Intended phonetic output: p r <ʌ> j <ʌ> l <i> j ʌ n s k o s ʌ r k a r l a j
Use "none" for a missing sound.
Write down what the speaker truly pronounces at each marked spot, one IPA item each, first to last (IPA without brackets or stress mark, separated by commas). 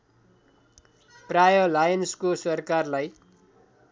a, ʌ, a